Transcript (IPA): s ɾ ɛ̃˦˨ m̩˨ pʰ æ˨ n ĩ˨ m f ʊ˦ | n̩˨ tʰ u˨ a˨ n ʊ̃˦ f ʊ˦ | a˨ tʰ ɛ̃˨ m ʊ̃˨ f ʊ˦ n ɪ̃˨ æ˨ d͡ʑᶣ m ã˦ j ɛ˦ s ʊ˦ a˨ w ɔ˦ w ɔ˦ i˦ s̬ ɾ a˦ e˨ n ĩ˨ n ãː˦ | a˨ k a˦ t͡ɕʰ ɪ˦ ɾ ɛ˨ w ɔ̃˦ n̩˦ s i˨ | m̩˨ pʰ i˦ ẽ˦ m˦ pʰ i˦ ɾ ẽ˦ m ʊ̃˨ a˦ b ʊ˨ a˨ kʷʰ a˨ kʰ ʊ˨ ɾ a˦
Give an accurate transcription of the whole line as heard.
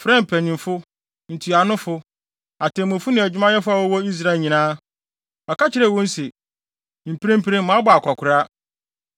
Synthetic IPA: f ɾ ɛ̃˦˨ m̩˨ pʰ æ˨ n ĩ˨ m f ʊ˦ | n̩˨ tʰ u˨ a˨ n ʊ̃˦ f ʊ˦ | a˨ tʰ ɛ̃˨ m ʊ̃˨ f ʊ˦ n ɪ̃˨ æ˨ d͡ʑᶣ m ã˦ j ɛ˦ f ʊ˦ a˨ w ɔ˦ w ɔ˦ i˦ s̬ ɾ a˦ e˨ ɲ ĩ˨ n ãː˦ | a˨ k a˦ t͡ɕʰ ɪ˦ ɾ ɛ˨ w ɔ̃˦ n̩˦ s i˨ | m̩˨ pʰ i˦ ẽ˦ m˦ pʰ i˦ ɾ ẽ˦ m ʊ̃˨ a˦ b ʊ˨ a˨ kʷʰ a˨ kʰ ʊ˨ ɾ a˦